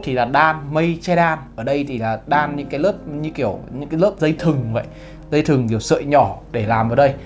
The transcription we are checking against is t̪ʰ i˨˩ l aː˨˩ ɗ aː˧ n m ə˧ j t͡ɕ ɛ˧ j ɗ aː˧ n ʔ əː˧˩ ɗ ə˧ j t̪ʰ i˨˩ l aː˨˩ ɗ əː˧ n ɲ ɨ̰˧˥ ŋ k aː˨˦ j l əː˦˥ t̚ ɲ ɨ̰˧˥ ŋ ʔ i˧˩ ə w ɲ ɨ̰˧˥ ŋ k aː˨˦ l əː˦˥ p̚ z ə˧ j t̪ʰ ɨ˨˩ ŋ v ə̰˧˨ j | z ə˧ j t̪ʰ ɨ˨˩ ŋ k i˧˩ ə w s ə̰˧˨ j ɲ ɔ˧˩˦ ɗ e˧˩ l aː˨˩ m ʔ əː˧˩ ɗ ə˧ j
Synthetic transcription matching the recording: t̪ʰ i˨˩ l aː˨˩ ɗ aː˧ n m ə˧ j t͡ɕ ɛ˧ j ɗ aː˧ n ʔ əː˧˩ ɗ ə˧ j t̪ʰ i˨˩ l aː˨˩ ɗ aː˧ n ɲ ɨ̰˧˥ ŋ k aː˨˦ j l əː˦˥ p̚ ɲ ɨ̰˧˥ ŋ k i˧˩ ə w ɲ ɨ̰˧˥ ŋ k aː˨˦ l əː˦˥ p̚ z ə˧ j t̪ʰ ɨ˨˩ ŋ v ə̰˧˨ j | z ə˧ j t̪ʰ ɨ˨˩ ŋ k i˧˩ ə w s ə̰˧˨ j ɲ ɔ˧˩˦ ɗ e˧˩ l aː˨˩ m ʔ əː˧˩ ɗ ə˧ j